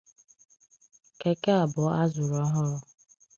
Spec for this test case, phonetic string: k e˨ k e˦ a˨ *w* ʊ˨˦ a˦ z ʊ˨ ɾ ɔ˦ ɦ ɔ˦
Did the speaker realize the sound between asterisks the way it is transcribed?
no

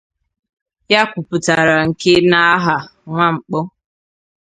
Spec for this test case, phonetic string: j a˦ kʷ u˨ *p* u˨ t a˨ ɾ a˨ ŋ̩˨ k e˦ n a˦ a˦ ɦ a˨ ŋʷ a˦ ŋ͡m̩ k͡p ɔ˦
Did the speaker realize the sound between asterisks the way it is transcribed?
yes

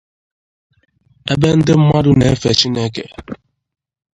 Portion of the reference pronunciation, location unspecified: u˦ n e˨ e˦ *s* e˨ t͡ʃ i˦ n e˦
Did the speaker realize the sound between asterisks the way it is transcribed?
no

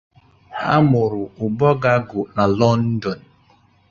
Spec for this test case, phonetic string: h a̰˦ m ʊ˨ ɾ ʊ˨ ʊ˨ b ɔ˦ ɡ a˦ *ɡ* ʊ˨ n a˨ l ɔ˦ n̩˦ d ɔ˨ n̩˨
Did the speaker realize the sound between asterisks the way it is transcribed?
yes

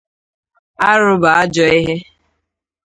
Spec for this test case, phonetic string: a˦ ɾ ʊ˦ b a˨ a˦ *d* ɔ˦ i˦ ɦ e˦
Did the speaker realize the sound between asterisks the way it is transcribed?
no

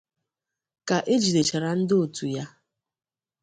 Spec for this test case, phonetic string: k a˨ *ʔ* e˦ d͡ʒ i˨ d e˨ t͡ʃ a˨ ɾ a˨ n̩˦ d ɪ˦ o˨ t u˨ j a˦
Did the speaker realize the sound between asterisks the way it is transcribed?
yes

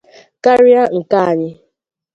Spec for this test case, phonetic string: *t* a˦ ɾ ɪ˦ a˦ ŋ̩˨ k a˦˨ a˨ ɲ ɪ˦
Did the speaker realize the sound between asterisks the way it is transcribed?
no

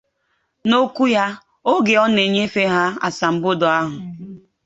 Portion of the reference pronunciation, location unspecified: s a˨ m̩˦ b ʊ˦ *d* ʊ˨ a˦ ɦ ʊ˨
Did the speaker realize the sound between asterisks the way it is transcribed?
yes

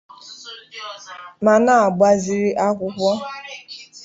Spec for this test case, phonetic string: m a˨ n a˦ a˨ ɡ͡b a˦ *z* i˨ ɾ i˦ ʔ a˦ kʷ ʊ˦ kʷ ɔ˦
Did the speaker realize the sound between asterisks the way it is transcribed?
yes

